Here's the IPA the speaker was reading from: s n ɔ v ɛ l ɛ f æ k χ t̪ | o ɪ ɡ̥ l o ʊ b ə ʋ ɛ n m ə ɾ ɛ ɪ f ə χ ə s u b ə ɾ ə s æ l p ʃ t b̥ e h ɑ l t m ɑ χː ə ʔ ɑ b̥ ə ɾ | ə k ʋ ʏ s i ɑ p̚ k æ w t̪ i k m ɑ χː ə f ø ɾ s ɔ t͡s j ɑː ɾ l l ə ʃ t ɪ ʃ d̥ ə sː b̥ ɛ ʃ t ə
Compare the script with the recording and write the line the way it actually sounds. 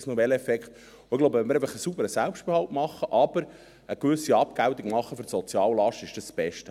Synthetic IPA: s n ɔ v ɛ l ɛ f ɛ k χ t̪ | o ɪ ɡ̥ l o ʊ b ə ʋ ɛ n m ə ɾ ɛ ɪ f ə χ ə s u b ə ɾ ə s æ l p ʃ t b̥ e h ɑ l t m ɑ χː ə ʔ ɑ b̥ ə ɾ | ə k ʋ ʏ s i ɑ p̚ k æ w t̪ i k m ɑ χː ə f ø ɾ s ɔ t͡s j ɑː l l ɑ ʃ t ɪ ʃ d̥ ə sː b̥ ɛ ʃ t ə